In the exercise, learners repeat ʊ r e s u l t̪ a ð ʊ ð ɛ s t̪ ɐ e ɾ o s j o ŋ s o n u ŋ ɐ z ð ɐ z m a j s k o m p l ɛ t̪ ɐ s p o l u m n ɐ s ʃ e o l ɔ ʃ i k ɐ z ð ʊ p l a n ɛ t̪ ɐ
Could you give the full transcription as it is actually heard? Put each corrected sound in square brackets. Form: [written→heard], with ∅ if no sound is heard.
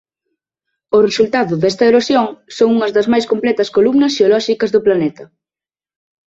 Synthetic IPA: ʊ r e s u l t̪ a ð ʊ ð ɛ s t̪ ɐ e ɾ o s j o ŋ s o [n→ŋ] u ŋ ɐ z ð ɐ z m a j s k o m p l ɛ t̪ ɐ s [p→k] o l u m n ɐ s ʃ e o l ɔ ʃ i k ɐ z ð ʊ p l a n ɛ t̪ ɐ